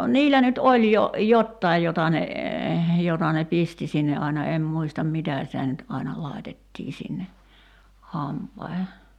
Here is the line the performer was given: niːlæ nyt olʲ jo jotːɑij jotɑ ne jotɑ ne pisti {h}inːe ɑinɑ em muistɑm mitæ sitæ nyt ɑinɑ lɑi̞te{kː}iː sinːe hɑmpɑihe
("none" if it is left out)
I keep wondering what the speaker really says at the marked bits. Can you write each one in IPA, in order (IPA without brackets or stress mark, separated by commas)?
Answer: s, tː